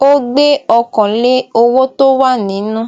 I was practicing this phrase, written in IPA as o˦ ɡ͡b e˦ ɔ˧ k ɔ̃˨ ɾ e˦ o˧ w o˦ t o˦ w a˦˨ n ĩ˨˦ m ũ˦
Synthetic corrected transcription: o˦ ɡ͡b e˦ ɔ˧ k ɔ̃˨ l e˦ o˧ w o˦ t o˦ w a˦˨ n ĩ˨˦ n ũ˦